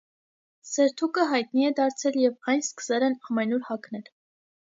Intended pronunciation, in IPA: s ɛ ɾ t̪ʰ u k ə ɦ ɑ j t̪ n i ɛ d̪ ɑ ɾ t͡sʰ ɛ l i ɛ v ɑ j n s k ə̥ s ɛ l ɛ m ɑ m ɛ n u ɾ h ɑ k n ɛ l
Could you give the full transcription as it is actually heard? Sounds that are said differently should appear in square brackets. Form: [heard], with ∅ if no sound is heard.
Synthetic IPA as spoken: s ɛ ɾ t̪ʰ u k ə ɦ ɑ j t̪ n i ɛ d̪ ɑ ɾ t͡sʰ ɛ l [j] ɛ v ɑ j n s k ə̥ s ɛ l ɛ [n] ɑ m ɛ n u ɾ h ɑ k n ɛ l